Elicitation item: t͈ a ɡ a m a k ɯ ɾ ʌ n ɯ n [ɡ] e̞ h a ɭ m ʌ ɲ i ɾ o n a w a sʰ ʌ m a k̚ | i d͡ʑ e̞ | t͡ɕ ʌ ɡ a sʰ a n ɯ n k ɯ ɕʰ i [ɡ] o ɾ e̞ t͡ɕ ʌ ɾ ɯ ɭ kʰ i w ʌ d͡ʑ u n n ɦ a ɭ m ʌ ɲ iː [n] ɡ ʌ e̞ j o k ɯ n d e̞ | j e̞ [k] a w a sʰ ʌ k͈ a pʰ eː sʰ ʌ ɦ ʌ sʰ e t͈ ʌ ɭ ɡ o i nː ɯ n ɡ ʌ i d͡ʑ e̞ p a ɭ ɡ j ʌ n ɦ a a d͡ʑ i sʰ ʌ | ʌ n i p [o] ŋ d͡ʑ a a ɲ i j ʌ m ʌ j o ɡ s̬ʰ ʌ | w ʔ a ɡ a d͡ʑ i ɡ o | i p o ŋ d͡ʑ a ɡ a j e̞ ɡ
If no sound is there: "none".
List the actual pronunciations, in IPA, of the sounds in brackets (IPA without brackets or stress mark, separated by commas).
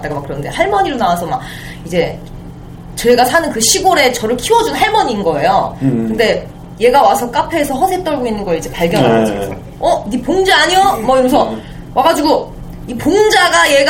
d, ɡ, n, ɡ, o